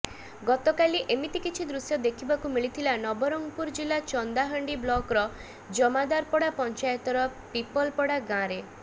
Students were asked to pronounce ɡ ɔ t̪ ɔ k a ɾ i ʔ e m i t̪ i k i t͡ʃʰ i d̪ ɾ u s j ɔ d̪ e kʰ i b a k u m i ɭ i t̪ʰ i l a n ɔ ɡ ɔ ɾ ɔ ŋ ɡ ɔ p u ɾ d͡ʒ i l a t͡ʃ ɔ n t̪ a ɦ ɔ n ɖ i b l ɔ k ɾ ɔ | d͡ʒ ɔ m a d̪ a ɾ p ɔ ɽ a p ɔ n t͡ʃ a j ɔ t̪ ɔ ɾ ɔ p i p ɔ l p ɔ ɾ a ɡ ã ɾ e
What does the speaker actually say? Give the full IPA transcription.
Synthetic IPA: ɡ ɔ t̪ ɔ k a l i ʔ e m i t̪ i k i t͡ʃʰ i d̪ ɾ u s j ɔ d̪ e kʰ i b a k u m i ɭ i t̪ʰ i l a n ɔ b ɔ ɾ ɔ ŋ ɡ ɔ p u ɾ d͡ʒ i l a t͡ʃ ɔ n d̪ a ɦ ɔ ɳ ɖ i b l ɔ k ɾ ɔ | d͡ʒ ɔ m a d̪ a ɾ p ɔ ɽ a p ɔ n t͡ʃ a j ɔ t̪ ɔ ɾ ɔ p i p ɔ l p ɔ ɽ a ɡ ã ɾ e